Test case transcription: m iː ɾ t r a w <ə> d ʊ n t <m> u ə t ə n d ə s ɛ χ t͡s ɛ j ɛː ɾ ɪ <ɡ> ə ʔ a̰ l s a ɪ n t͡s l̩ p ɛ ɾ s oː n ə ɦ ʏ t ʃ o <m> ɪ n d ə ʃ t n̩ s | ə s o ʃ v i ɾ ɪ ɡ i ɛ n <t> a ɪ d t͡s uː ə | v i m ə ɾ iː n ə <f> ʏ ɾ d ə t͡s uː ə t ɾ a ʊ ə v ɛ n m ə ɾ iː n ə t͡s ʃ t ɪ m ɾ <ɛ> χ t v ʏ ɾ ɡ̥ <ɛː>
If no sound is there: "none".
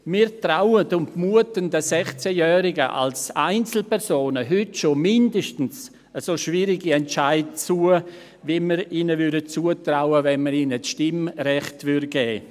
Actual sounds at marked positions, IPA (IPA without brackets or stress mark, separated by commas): ə, m, ɡ, m, t͡ʃ, v, ɛ, ɛː